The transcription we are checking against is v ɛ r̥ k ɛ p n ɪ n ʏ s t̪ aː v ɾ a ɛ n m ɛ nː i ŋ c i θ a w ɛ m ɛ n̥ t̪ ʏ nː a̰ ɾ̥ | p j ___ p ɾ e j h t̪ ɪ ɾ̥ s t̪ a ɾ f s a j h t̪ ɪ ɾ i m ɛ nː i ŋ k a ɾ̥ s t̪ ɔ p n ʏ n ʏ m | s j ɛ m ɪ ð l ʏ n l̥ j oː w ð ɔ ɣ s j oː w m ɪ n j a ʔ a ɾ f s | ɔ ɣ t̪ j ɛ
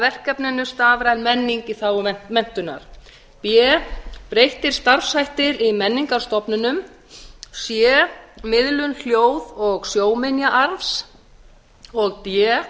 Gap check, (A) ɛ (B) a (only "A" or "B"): A